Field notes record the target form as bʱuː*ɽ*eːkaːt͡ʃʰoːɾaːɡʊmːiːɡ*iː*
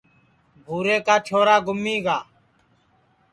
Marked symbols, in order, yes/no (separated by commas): no, no